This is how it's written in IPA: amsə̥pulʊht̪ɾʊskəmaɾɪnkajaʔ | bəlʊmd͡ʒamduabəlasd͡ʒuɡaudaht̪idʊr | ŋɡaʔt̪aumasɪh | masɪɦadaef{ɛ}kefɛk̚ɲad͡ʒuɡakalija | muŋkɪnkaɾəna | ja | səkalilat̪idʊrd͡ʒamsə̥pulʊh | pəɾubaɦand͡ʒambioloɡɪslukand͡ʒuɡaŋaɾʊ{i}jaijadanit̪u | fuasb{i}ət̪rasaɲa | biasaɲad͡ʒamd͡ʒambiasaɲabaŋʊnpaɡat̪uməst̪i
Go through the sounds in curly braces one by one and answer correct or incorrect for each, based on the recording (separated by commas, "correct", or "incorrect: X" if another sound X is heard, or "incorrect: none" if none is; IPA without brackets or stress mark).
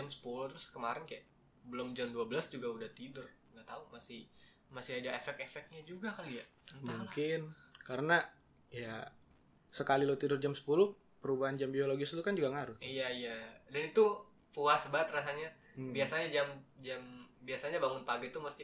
correct, correct, incorrect: a